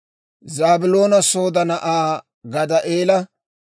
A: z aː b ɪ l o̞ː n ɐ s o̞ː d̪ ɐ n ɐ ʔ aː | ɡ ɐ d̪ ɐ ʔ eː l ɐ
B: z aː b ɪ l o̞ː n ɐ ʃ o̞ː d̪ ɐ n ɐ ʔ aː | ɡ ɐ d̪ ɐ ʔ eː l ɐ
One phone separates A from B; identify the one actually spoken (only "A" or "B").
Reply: A